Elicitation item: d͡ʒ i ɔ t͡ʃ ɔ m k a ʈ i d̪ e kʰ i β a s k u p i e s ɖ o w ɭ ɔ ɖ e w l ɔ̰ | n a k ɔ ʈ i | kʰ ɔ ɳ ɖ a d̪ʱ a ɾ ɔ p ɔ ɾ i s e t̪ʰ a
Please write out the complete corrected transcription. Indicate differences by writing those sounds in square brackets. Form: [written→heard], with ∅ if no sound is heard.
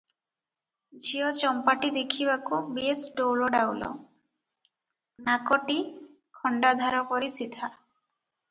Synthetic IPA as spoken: d͡ʒ i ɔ t͡ʃ ɔ m [k→p] a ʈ i d̪ e kʰ i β a [s→∅] k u [p→b] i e s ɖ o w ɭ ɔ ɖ [e→a] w l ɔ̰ | n a k ɔ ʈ i | kʰ ɔ ɳ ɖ a d̪ʱ a ɾ ɔ p ɔ ɾ i s [e→i] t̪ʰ a